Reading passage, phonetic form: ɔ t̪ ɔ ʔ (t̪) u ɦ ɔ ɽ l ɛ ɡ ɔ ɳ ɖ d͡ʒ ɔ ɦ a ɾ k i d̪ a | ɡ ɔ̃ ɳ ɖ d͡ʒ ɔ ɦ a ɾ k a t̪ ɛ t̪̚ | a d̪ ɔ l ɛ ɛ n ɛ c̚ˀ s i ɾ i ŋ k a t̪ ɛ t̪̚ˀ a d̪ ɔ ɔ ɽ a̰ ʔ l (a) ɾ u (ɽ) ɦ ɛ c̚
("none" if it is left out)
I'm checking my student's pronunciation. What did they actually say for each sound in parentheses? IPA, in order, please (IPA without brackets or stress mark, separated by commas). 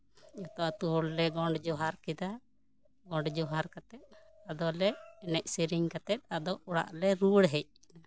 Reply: t̪, ɛ, ɽ